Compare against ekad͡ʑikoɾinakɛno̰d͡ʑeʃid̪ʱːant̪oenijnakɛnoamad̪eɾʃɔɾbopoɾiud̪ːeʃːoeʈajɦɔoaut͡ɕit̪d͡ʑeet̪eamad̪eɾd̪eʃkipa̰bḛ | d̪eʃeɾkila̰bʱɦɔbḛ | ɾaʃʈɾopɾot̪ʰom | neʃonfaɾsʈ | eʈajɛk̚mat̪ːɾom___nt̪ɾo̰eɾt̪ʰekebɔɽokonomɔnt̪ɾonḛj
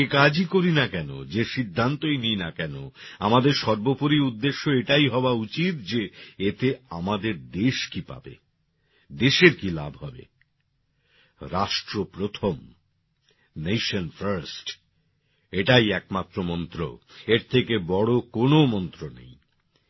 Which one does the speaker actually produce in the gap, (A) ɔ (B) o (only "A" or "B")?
A